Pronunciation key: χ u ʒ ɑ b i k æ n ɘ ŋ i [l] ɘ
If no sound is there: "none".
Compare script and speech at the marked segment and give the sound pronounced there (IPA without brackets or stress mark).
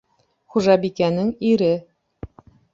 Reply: ɾ